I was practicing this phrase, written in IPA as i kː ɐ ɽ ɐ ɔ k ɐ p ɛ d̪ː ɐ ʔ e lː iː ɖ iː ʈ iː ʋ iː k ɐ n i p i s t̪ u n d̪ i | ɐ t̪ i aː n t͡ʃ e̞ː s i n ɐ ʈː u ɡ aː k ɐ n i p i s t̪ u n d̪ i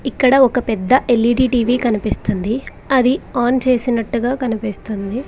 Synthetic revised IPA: i kː ɐ ɽ ɐ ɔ k ɐ p ɛ d̪ː ɐ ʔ e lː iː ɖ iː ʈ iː ʋ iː k ɐ n i p i s t̪ u n d̪ i | ɐ d̪ i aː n t͡ʃ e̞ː s i n ɐ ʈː u ɡ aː k ɐ n i p i s t̪ u n d̪ i

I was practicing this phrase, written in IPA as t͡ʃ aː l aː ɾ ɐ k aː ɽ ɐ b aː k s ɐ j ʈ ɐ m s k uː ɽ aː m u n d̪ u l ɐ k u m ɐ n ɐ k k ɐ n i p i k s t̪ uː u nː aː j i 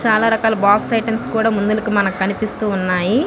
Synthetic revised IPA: t͡ʃ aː l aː ɾ ɐ k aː l ɐ b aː k s ɐ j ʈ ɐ m s k uː ɽ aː m u n d̪ u l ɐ k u m ɐ n ɐ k k ɐ n i p i s t̪ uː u nː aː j i

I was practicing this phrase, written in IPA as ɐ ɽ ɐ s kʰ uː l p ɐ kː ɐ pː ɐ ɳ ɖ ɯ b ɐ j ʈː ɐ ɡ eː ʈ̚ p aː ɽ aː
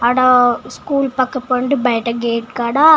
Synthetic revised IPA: ɐ ɽ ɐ s k uː l p ɐ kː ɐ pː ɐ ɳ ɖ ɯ b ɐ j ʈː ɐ ɡ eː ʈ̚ k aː ɽ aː

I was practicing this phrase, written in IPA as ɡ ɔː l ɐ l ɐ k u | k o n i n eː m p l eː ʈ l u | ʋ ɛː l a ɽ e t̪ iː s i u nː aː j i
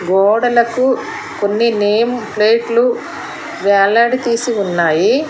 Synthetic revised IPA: ɡ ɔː ɽ ɐ l ɐ k u | k o nː i n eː m p l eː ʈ l u | ʋ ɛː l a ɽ i t̪ iː s i u nː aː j i

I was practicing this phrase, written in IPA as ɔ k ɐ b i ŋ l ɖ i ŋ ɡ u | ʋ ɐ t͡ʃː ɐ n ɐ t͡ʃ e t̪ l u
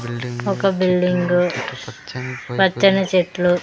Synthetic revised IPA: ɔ k ɐ b i l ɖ i ŋ ɡ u | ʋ ɐ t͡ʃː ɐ n ɐ t͡ʃ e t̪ l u

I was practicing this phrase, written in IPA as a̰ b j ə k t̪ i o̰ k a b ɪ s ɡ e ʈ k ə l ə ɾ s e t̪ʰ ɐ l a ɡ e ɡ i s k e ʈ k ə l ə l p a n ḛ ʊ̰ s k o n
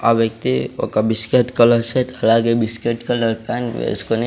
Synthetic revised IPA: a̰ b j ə k t̪ i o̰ k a b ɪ s k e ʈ k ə l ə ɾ s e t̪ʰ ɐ l a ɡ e b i s k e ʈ k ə l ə ɾ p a n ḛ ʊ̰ s k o n

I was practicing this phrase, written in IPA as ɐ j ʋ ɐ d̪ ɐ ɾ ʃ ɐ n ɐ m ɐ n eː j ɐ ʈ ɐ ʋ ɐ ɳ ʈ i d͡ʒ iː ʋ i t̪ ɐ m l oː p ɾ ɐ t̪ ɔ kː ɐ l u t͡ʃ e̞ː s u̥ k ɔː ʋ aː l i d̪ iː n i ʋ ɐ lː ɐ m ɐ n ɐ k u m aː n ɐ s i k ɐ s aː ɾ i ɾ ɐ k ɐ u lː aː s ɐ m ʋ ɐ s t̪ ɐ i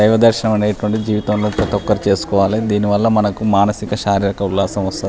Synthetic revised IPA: ɐ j ʋ ɐ d̪ ɐ ɾ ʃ ɐ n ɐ m ɐ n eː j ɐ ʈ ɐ ʋ ɐ ɳ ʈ i d͡ʒ iː ʋ i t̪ ɐ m l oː p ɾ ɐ t̪ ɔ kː ɐ ɾ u t͡ʃ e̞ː s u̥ k ɔː ʋ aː l i d̪ iː n i ʋ ɐ lː ɐ m ɐ n ɐ k u m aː n ɐ s i k ɐ ʃ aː ɾ i ɾ ɐ k ɐ u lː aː s ɐ m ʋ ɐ s t̪ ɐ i

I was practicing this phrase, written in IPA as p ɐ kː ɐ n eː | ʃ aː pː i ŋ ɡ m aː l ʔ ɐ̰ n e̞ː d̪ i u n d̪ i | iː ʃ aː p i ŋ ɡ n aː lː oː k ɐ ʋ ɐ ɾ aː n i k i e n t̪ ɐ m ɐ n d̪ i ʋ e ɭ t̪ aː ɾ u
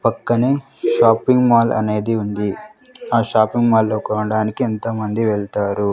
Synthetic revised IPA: p ɐ kː ɐ n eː | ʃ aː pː i ŋ ɡ m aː l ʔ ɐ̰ n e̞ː d̪ i u n d̪ i | aː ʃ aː p i ŋ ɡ m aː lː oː k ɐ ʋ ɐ ɽ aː n i k i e n t̪ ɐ m ɐ n d̪ i ʋ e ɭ t̪ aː ɾ u

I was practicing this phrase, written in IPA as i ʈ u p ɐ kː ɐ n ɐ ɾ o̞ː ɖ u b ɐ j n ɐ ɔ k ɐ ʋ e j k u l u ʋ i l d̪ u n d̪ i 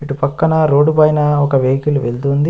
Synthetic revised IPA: i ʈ u p ɐ kː ɐ n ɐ ɾ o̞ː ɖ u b ɐ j n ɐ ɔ k ɐ ʋ e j k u l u ʋ e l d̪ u n d̪ i

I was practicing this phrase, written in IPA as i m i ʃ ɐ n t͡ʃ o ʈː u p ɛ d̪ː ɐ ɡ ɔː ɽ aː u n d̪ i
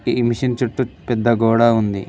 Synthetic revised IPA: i m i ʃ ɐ n t͡ʃ u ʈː u p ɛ d̪ː ɐ ɡ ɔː ɽ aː u n d̪ i

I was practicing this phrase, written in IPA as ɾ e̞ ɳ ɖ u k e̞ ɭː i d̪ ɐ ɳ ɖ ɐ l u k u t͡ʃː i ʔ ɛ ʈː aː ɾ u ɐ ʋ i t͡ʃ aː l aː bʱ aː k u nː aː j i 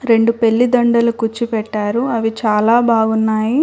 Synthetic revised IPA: ɾ e̞ ɳ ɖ u p e̞ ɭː i d̪ ɐ ɳ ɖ ɐ l u k u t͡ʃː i p ɛ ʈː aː ɾ u ɐ ʋ i t͡ʃ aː l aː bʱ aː ɡ u nː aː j i

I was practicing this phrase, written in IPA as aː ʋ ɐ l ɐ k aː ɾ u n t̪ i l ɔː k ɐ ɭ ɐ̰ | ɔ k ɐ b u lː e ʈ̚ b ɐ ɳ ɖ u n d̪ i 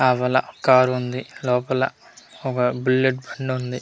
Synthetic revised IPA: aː ʋ ɐ l ɐ k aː ɾ u n d̪ i l ɔː p ɐ l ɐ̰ | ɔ k ɐ b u lː e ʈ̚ b ɐ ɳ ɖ u n d̪ i

